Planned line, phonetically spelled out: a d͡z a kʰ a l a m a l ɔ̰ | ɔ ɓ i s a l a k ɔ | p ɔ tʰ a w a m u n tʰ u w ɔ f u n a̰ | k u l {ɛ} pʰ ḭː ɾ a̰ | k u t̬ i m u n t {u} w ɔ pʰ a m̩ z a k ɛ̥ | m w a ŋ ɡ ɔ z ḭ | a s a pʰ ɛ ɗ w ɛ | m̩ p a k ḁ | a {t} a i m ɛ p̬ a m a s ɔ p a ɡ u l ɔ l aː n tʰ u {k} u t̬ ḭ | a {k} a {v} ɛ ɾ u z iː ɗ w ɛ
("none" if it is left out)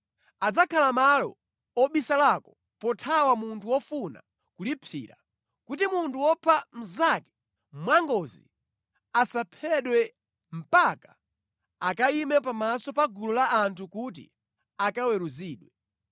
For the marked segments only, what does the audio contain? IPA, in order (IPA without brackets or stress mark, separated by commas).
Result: i, u, k, k, k, w